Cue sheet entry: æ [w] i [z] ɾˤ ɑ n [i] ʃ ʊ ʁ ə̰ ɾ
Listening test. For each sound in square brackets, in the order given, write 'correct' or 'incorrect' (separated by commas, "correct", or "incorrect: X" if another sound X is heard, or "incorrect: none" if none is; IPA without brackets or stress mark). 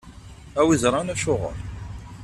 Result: correct, correct, incorrect: æ